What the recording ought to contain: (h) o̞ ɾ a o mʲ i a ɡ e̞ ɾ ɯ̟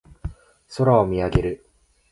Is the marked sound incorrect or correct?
incorrect